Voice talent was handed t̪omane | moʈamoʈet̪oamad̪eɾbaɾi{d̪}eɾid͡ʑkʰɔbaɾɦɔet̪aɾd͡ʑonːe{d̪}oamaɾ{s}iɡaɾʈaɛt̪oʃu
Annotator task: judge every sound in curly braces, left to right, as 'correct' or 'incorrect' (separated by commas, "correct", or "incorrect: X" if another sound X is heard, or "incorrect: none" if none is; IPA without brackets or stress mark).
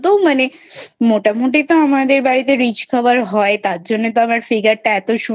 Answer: incorrect: t̪, incorrect: t̪, incorrect: f